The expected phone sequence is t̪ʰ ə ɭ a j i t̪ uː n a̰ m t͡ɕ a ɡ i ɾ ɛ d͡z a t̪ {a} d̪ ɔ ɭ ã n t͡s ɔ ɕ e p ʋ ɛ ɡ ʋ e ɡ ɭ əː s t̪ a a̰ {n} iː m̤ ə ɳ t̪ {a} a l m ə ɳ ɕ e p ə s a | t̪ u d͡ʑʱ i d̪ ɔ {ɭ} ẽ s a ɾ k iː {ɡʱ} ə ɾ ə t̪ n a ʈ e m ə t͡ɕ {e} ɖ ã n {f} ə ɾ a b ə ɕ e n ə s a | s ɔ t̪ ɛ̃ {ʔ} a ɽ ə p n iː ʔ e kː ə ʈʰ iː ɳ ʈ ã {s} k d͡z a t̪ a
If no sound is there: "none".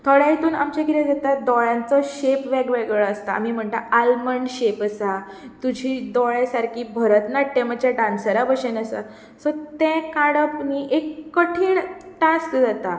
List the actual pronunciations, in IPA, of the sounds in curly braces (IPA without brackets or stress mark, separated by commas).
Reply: a, m, a, ɭ, bʱ, a, s, k, s